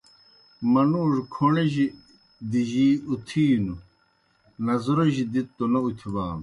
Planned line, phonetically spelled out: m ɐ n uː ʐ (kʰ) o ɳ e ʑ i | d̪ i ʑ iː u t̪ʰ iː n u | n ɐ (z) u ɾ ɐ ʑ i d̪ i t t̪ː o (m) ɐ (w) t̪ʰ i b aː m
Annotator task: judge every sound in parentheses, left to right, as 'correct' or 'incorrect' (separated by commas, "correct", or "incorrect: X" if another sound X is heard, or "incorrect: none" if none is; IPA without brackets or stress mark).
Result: correct, correct, incorrect: n, incorrect: u